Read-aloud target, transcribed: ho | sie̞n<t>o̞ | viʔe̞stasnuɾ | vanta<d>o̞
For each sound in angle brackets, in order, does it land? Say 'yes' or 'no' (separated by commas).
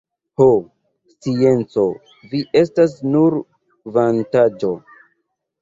no, no